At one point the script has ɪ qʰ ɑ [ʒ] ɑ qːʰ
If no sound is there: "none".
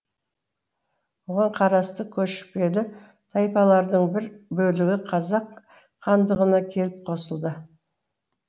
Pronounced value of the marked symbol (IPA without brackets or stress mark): z